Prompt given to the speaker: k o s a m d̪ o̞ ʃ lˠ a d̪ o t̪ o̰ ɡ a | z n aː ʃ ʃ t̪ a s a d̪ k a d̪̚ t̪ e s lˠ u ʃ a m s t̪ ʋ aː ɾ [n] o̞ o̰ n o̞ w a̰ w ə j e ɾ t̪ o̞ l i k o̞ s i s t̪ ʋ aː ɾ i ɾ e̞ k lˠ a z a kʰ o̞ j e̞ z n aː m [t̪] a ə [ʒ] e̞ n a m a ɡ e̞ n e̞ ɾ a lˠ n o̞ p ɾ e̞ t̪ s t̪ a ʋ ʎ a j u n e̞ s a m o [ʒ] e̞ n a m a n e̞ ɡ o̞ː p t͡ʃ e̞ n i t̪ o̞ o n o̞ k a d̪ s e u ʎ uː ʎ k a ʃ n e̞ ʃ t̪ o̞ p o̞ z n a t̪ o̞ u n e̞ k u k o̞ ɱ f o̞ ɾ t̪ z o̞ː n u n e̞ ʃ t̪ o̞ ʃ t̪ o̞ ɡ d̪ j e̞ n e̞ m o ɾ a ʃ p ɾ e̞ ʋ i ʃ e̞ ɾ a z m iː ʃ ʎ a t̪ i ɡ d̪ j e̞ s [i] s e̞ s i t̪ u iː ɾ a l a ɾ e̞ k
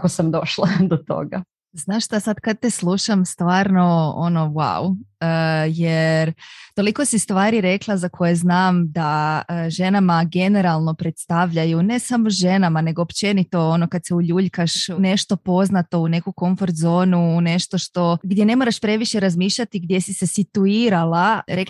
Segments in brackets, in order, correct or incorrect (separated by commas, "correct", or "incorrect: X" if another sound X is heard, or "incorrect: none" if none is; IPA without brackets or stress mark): correct, incorrect: d̪, correct, correct, correct